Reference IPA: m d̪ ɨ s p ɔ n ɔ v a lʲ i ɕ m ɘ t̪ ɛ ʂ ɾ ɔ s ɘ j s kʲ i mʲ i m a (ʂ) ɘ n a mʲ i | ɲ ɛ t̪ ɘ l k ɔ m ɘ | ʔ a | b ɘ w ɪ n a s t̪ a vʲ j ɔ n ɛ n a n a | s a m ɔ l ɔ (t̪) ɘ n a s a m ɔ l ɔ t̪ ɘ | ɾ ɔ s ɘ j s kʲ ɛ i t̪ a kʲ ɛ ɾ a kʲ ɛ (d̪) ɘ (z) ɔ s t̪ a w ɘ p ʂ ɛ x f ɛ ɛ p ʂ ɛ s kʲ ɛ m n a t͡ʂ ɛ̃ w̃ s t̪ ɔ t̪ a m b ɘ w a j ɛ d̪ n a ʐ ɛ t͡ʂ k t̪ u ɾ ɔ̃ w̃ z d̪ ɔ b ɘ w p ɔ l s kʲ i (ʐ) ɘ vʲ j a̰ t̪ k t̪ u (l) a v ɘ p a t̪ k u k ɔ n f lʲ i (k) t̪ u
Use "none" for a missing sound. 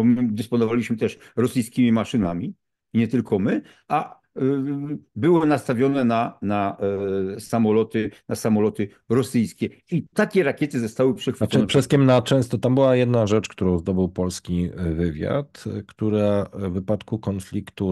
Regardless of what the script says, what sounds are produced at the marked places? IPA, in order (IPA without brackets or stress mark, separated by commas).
ʂ, t̪, t̪, z, v, ɾ, k